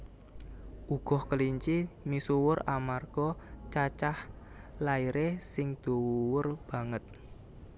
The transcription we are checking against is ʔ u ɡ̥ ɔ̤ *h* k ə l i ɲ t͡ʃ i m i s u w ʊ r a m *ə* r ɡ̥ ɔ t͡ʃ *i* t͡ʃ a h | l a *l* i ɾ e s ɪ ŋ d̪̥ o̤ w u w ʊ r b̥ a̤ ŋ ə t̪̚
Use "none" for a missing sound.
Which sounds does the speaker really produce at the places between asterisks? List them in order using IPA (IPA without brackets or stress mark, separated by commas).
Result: h, a, a, none